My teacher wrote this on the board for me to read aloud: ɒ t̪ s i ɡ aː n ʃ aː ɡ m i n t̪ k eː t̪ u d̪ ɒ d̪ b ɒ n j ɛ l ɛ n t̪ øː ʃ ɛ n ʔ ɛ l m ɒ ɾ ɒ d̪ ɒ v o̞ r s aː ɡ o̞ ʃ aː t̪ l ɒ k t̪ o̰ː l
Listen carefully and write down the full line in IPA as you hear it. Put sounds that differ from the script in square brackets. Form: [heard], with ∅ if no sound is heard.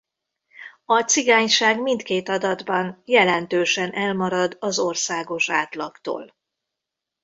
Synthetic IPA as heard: ɒ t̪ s i ɡ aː [ɲ] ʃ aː ɡ m i n t̪ k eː t̪ [ɒ] d̪ ɒ d̪ b ɒ n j ɛ l ɛ n t̪ øː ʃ ɛ n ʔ ɛ l m ɒ ɾ ɒ d̪ ɒ [z] o̞ r s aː ɡ o̞ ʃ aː t̪ l ɒ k t̪ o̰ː l